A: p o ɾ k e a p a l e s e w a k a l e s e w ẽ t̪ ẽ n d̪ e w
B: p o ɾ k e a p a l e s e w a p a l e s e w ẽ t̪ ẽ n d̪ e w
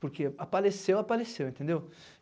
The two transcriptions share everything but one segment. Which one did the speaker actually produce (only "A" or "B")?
B